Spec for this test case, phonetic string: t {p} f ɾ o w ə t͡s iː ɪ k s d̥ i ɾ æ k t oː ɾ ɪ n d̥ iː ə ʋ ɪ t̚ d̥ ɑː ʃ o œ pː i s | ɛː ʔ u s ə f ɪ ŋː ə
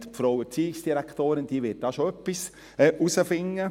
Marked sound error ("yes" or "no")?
no